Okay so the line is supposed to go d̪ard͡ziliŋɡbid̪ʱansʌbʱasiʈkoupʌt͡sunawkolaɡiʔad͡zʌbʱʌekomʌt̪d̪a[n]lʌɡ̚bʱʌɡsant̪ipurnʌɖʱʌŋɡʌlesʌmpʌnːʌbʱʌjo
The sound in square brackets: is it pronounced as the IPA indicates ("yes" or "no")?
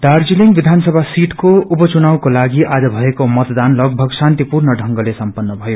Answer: yes